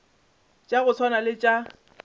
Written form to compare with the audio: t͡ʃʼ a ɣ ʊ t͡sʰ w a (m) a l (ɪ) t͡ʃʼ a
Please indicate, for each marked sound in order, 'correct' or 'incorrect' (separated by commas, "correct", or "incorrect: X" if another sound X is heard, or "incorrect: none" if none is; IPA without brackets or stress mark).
incorrect: n, correct